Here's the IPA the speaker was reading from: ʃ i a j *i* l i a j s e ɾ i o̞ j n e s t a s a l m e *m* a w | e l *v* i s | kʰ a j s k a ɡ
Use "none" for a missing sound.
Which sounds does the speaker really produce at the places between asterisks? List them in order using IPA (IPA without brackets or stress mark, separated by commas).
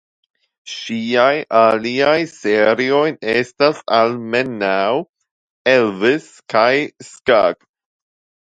a, n, v